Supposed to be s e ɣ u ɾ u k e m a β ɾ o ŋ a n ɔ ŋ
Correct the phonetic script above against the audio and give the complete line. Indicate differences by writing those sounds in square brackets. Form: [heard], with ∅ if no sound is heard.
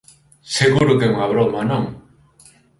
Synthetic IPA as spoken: s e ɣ u ɾ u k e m a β ɾ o [m] a n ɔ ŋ

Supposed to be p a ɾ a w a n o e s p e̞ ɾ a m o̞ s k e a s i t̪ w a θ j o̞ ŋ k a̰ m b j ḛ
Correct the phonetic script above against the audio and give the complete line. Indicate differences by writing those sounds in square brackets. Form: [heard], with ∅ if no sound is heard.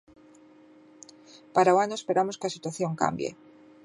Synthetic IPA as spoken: p a ɾ a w a n o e s p e̞ ɾ a m o̞ s k e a s i t̪ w a θ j o̞ ŋ k a̰ m b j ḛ

